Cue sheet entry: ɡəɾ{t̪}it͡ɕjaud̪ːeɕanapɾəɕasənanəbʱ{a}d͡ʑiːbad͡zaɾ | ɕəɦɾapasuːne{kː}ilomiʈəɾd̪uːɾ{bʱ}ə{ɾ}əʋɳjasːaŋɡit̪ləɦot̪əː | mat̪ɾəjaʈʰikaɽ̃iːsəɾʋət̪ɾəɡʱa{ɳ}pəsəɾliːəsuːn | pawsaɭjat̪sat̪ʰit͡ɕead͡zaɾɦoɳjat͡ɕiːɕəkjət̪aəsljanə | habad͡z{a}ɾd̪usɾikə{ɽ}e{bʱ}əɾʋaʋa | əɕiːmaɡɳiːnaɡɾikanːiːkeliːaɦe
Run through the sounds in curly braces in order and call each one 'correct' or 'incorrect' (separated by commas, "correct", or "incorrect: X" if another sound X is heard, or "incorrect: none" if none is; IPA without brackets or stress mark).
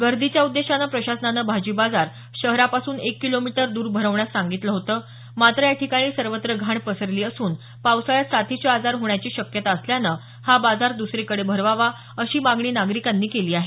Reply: incorrect: d̪, correct, correct, correct, correct, correct, correct, correct, correct